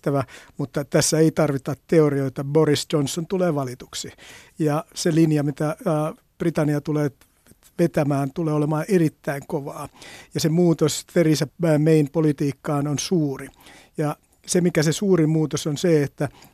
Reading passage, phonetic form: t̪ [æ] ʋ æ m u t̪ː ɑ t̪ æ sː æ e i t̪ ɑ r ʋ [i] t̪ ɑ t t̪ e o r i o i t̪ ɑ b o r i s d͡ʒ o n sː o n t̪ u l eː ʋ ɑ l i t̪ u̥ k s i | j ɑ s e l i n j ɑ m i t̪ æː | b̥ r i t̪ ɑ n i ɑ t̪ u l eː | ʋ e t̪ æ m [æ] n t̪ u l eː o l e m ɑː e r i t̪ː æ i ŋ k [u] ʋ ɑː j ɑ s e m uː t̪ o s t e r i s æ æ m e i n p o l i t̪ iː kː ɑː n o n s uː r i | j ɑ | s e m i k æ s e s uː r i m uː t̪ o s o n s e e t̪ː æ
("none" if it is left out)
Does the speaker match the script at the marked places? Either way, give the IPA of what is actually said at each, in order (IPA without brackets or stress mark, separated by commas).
æ, i, æː, o